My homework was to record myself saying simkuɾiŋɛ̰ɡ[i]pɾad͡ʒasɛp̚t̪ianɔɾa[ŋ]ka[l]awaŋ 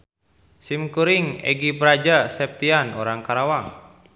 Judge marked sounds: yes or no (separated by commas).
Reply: yes, yes, no